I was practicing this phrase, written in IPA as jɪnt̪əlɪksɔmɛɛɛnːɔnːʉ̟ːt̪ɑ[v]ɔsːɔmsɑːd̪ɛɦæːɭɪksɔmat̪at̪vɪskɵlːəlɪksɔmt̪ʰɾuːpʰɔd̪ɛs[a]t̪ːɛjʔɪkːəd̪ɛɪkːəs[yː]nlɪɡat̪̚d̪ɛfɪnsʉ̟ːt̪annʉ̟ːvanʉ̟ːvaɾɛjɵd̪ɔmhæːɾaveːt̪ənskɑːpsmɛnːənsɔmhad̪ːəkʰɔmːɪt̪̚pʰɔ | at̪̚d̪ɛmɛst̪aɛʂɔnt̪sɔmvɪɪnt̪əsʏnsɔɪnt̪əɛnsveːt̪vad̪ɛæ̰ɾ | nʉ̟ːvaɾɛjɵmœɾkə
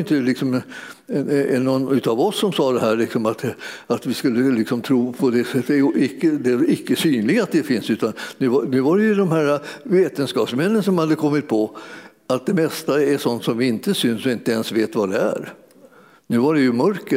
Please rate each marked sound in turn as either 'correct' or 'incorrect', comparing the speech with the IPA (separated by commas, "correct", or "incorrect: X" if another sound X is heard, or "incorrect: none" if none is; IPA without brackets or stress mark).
correct, incorrect: ɛ, correct